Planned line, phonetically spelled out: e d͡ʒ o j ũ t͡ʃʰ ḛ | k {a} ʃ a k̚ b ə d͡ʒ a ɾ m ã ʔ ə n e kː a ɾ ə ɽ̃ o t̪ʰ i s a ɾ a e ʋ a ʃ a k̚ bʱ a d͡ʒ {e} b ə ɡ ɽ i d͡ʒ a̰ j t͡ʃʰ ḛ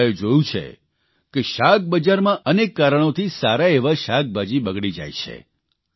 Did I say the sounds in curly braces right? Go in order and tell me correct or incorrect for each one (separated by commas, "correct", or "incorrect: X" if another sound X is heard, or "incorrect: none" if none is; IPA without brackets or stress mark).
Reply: incorrect: e, incorrect: i